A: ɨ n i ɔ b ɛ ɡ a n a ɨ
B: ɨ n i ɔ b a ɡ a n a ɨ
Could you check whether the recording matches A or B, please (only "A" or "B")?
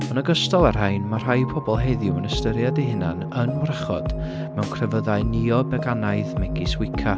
A